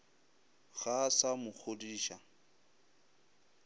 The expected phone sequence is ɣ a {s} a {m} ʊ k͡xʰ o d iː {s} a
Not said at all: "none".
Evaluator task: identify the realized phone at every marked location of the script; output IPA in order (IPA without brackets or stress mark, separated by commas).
s, m, ʃ